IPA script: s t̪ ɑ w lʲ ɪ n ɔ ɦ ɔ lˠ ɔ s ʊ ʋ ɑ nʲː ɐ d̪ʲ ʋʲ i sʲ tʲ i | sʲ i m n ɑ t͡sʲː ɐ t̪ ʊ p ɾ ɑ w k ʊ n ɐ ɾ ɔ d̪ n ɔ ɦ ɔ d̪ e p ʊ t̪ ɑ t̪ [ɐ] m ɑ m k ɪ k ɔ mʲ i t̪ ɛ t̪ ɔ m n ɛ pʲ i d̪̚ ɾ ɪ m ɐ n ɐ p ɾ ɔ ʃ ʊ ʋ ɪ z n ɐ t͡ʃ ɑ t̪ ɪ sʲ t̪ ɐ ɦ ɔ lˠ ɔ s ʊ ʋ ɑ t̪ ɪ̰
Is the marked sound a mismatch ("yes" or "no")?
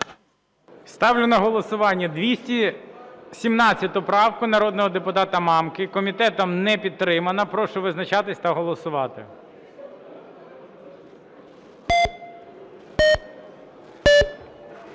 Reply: no